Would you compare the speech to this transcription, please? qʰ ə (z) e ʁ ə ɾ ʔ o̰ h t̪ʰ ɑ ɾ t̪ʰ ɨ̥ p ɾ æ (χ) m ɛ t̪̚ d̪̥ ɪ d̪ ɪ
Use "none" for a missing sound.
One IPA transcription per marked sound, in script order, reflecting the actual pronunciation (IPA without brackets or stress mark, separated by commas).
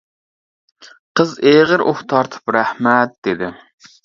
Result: z, h